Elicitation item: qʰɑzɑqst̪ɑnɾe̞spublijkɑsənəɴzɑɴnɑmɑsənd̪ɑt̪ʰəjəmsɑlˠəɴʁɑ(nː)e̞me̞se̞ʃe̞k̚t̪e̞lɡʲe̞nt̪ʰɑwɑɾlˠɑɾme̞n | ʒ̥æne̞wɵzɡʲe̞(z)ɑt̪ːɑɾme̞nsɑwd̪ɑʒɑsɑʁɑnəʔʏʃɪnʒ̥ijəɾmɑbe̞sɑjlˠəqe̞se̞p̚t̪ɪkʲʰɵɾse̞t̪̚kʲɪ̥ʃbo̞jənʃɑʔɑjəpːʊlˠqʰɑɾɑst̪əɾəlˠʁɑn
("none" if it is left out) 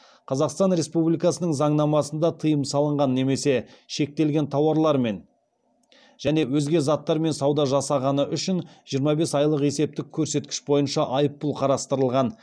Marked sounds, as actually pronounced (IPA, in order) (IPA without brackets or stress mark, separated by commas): nː, z